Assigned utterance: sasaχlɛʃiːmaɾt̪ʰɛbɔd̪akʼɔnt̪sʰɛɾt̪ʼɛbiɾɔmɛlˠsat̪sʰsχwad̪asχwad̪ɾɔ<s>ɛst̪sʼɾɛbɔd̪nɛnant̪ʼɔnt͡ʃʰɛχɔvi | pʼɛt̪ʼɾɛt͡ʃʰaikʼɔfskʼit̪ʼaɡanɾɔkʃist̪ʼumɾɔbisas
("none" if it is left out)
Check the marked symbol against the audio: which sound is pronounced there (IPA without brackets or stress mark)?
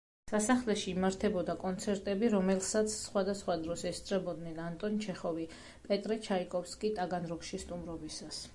s